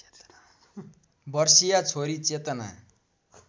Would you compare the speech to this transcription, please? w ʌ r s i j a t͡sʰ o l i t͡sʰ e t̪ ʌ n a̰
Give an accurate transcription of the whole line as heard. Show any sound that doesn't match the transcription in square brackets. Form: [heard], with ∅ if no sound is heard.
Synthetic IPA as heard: [b] ʌ r s i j a t͡sʰ o [ɾ] i [t͡s] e t̪ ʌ n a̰

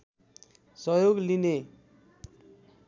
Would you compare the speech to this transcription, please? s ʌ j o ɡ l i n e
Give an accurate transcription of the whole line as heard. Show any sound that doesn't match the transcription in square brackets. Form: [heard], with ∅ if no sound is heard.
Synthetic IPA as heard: s ʌ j o ɡ l i n e

